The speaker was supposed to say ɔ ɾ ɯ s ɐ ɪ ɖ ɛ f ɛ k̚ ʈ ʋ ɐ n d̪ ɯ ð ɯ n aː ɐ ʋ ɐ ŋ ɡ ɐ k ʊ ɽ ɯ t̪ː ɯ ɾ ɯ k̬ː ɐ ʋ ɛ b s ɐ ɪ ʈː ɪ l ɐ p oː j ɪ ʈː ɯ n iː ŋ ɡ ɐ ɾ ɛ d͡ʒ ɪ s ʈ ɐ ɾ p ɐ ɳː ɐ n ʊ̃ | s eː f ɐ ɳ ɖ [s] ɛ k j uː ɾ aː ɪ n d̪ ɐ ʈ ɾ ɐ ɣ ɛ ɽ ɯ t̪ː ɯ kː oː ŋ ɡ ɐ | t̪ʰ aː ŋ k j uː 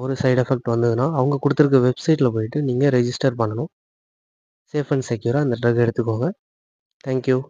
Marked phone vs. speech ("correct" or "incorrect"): correct